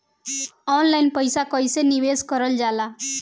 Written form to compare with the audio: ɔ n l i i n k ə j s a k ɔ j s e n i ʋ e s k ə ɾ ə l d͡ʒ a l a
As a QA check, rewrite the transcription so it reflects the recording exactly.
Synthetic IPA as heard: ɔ n l a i n p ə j s a k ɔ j s e n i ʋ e s k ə ɾ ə l d͡ʒ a l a